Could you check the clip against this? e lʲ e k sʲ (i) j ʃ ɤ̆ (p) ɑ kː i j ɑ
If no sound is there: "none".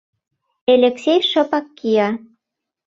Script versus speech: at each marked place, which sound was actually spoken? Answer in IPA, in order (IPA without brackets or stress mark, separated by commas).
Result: e, p